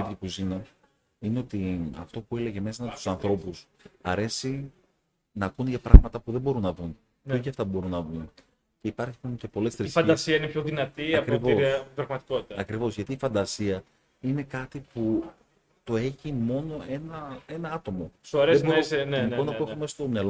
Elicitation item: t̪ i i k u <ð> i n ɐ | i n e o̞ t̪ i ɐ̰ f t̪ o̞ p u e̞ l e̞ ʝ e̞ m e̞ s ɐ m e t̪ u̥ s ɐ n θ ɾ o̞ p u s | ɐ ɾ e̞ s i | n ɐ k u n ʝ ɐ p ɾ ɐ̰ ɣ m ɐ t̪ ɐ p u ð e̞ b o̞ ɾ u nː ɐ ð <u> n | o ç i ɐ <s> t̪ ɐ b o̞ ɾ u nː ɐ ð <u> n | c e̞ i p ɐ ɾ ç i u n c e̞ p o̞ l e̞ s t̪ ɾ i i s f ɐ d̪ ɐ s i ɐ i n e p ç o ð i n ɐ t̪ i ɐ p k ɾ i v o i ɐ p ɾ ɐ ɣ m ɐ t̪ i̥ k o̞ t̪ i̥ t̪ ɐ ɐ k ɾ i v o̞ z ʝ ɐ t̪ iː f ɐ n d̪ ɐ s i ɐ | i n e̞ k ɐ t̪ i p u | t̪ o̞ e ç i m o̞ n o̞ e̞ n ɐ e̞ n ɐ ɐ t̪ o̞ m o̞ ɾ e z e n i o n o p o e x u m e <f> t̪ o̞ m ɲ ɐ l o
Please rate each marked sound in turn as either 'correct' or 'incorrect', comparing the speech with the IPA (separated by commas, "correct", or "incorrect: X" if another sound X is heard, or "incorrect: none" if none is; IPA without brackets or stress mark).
incorrect: z, correct, incorrect: f, correct, incorrect: s